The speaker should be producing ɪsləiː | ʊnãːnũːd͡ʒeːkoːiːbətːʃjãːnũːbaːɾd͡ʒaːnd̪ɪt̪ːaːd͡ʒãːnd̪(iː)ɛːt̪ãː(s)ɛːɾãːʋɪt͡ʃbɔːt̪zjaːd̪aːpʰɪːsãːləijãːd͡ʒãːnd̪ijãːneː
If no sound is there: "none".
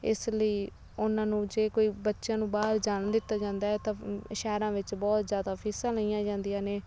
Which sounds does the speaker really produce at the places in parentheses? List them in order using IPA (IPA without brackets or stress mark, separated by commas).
aː, ʃ